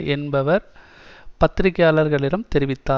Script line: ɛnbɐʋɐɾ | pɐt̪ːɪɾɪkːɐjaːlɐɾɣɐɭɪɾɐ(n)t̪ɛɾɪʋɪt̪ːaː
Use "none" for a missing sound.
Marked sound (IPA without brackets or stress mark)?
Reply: m